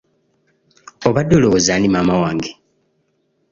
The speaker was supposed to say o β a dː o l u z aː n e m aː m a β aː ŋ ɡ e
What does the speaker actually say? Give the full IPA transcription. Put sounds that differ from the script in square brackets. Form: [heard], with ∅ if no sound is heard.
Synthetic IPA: o β a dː o l [o] z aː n [i] m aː m a [w] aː ŋ ɡ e

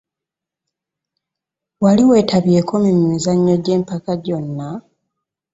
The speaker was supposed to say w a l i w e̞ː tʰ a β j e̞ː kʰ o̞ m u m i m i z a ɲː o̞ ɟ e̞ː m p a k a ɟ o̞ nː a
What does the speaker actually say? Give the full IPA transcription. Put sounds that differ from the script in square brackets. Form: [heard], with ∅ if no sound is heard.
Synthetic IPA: w a l i w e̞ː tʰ a β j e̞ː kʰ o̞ m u m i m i z a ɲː o̞ ɟ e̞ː m p a k a ɟ o̞ nː a

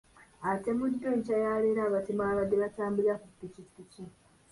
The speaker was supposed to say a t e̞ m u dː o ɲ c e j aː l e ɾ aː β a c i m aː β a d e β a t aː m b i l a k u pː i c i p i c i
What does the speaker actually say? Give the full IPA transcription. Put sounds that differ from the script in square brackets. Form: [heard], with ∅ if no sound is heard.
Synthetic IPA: a t e̞ m u dː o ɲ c [a] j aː l e ɾ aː β a [t] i m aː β a d e β a t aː m b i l a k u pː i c i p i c i

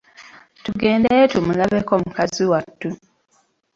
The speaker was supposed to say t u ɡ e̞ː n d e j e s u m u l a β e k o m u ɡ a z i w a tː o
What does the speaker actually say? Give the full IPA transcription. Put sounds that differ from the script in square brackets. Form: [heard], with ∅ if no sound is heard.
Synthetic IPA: t u ɡ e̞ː n d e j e [t] u m u l a β e k o m u [k] a z i w a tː [u]

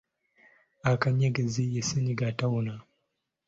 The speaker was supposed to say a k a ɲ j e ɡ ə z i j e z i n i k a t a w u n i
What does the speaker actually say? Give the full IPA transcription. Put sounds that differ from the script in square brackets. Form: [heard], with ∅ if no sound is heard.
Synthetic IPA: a k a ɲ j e ɡ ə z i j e [s] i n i [ɡ] a t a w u n [a]

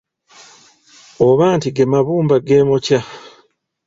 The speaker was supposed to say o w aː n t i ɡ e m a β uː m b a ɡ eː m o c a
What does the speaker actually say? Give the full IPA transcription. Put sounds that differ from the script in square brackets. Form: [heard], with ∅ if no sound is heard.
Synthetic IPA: o [β] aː n t i ɡ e m a β uː m b a ɡ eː m o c a

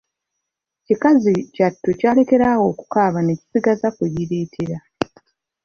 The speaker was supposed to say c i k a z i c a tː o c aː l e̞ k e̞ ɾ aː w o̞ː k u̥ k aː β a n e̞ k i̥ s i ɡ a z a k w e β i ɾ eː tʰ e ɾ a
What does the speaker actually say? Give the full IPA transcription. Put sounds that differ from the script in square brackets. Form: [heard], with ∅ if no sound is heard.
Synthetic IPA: c i k a z i c a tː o c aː l e̞ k e̞ ɾ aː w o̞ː k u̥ k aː β a n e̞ [c] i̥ s i ɡ a z a k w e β i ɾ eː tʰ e ɾ a

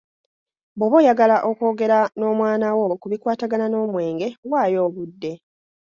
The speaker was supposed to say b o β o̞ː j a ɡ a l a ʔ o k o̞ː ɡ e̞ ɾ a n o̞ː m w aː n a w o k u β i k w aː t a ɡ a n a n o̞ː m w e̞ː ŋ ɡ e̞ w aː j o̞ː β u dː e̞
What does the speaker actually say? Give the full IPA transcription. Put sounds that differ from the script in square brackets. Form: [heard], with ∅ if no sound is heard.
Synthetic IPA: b o β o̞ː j a ɡ a l a ʔ o k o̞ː ɡ e̞ ɾ a n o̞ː m w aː n a w o k u β i k w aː t a ɡ a n a n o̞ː m w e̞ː ŋ ɡ e̞ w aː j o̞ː β u dː e̞

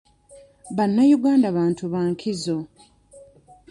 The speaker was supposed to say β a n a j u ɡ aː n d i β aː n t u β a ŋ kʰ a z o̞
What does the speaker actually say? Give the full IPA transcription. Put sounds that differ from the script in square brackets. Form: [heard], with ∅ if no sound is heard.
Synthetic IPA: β a [nː] a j u ɡ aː n d [a] β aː n t u β a ŋ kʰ [i] z o̞

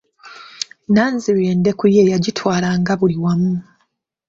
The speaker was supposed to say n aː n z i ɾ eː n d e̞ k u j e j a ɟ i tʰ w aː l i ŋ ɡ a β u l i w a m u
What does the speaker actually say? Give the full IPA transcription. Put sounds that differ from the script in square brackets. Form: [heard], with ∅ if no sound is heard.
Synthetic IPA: n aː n z i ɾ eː n d e̞ k u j e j a ɟ i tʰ w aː l [a] ŋ ɡ a β u l i w a m u

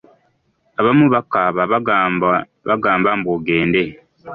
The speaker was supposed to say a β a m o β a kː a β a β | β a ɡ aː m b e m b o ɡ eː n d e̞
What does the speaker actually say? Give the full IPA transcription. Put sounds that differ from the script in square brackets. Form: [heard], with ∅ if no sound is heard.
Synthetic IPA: a β a m [u] β a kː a β a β | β a ɡ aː m b [a] m b o ɡ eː n d e̞

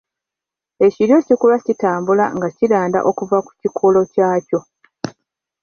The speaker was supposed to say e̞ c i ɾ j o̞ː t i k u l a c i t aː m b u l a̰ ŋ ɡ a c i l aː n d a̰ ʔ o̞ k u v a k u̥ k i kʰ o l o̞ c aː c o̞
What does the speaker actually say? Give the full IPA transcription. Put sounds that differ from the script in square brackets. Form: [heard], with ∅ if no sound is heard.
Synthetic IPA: e̞ c i ɾ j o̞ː [c] i k u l a c i t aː m b u l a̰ ŋ ɡ a c i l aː n d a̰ ʔ o̞ k u v a k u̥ [c] i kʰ o l o̞ c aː c o̞

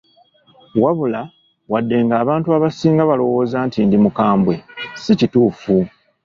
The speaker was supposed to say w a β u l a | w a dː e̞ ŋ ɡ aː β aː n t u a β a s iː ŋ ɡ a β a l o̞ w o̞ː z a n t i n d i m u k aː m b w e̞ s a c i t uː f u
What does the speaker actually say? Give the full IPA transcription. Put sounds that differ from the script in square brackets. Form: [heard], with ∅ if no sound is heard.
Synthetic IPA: w a β u l a | w a dː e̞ ŋ ɡ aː β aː n t u a β a s iː ŋ ɡ a β a l o̞ w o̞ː z a n t i n d i m u k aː m b w e̞ s [i] c i t uː f u

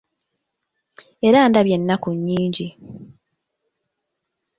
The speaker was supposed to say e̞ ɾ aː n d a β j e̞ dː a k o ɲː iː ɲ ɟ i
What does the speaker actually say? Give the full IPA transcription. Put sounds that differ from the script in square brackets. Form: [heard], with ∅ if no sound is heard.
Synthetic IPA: e̞ ɾ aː n d a β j e̞ [nː] a k [u] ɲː iː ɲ ɟ i

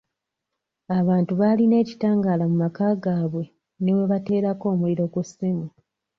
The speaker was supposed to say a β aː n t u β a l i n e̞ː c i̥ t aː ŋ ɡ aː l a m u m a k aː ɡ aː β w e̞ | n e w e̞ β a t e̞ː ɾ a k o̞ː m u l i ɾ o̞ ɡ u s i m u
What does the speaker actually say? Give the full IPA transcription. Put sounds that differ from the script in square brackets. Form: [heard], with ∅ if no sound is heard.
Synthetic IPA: a β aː n t u β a l i n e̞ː c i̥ t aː ŋ ɡ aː l a m u m a k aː ɡ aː β w e̞ | n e w e̞ β a t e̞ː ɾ a k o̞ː m u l i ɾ o̞ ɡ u s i m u

